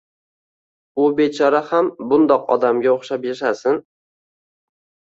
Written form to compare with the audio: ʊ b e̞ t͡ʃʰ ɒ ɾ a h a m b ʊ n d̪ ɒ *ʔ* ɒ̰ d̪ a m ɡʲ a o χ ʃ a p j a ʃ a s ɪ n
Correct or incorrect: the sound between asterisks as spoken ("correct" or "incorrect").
incorrect